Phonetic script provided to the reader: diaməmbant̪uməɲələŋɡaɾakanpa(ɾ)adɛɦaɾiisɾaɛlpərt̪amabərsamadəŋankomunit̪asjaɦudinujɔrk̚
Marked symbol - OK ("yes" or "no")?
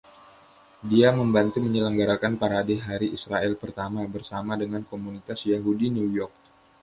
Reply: yes